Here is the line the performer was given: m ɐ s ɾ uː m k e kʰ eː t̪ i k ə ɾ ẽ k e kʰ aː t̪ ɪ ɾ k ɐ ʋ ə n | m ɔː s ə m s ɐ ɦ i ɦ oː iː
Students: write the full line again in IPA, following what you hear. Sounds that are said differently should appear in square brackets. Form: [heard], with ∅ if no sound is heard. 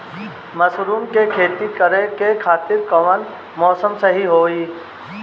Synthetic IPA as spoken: m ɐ s ɾ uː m k e kʰ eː t̪ i k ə ɾ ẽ k e kʰ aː t̪ ɪ ɾ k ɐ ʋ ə n | m ɔː s ə m s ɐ ɦ i ɦ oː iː